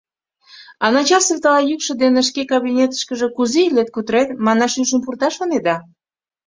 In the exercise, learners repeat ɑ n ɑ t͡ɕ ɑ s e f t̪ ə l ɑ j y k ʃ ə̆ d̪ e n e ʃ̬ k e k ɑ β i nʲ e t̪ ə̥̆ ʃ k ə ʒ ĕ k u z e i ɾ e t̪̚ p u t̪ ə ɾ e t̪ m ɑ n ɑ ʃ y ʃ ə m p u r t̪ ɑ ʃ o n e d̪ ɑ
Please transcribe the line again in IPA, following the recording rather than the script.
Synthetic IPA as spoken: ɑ n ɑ t͡ɕ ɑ s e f t̪ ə l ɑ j y k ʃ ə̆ d̪ e n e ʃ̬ k e k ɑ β i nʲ e t̪ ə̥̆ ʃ k ə ʒ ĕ k u z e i l e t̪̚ k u t̪ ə ɾ e t̪ m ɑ n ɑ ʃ y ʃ ə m p u r t̪ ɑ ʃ o n e d̪ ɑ